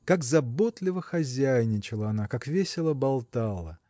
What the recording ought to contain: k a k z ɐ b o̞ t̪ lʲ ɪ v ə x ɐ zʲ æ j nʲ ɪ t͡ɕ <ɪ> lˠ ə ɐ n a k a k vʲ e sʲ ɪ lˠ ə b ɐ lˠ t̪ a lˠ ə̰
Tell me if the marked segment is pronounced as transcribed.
yes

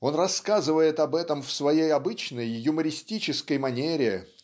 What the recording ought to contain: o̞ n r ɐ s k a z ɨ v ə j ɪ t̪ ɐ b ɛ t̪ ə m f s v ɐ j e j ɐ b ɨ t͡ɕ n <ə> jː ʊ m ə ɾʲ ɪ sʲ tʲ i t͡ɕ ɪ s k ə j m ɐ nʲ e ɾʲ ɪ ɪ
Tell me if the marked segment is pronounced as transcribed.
yes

